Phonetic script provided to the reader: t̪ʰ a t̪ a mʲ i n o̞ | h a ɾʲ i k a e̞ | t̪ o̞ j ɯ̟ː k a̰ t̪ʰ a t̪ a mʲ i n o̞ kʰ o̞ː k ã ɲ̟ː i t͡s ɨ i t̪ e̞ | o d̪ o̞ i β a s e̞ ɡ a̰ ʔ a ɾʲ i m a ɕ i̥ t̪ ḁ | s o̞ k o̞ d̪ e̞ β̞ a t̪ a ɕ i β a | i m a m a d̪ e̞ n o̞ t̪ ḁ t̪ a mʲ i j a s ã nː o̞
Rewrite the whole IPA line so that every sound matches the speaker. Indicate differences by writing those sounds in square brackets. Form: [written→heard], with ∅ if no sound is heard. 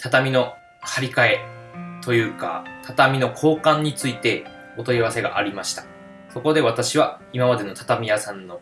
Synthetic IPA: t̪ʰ a t̪ a mʲ i n o̞ | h a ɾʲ i k a e̞ | t̪ o̞ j ɯ̟ː k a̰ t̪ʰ a t̪ a mʲ i n o̞ kʰ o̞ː k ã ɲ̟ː i t͡s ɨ i t̪ e̞ | o [d̪→t̪] o̞ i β a s e̞ ɡ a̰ ʔ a ɾʲ i m a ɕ i̥ t̪ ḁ | s o̞ k o̞ d̪ e̞ β̞ a t̪ a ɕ i β a | i m a m a d̪ e̞ n o̞ t̪ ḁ t̪ a mʲ i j a s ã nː o̞